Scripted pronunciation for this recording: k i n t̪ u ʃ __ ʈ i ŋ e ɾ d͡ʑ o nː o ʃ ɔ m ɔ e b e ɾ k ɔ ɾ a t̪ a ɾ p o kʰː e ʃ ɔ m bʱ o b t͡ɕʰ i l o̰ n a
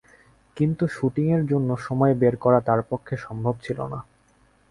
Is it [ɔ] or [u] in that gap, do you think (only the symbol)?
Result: u